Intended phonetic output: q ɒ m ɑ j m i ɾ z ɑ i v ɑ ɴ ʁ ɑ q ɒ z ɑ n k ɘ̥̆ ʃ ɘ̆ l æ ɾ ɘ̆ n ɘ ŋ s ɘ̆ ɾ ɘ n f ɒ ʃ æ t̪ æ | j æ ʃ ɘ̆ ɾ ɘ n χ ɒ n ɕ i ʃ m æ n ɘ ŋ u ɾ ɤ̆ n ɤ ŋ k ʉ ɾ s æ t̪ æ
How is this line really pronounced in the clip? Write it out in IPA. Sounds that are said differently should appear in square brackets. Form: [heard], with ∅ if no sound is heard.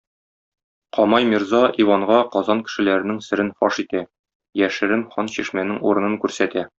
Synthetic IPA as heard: q ɒ m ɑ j m i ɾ z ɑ i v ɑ ɴ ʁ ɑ q ɒ z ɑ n k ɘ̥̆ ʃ ɘ̆ l æ ɾ ɘ̆ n ɘ ŋ s ɘ̆ ɾ ɘ n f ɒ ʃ [i] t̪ æ | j æ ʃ ɘ̆ ɾ ɘ n χ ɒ n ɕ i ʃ m æ n ɘ ŋ u ɾ ɤ̆ n ɤ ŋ k ʉ ɾ s æ t̪ æ